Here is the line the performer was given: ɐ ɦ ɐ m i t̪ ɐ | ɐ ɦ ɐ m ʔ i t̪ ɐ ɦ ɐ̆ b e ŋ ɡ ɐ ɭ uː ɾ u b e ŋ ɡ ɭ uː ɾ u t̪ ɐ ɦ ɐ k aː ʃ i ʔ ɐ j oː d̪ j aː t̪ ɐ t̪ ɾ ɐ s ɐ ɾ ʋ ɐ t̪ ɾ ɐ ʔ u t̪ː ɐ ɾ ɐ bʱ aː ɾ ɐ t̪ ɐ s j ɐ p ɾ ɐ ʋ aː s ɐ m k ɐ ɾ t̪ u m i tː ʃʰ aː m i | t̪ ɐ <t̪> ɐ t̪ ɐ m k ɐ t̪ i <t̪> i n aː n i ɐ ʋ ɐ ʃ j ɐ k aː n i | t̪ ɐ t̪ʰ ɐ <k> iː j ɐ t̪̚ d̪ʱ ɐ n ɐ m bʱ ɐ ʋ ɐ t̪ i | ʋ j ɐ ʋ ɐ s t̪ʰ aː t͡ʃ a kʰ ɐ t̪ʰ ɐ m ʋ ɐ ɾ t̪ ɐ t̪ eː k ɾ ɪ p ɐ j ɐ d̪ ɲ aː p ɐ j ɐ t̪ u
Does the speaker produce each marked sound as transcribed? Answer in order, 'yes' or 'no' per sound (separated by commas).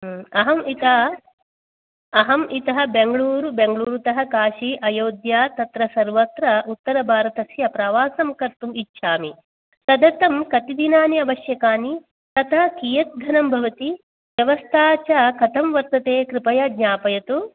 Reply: no, no, yes